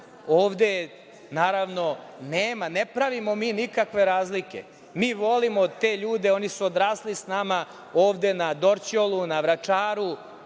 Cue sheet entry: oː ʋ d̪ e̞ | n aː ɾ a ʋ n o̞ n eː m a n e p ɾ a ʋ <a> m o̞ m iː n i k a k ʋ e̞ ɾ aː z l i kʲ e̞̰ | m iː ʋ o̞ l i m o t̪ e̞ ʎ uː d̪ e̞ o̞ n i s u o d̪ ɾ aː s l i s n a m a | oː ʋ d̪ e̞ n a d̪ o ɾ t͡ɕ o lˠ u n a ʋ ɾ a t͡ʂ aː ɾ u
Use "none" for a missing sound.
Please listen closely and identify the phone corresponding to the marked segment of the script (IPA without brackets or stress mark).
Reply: i